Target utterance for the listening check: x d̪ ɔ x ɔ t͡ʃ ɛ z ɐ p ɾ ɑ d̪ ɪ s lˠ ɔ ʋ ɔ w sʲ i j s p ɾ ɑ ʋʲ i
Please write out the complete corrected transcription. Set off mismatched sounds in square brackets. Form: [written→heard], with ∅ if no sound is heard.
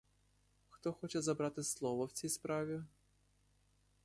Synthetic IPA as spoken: x [d̪→t̪] ɔ x ɔ t͡ʃ ɛ z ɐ [p→b] ɾ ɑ [d̪→t̪] ɪ s lˠ ɔ ʋ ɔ w [sʲ→t͡sʲ] i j s p ɾ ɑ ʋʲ i